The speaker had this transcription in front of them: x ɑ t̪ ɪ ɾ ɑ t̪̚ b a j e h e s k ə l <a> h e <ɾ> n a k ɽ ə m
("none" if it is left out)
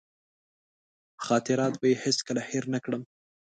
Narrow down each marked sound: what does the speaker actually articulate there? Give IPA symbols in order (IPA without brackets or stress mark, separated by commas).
a, ɾ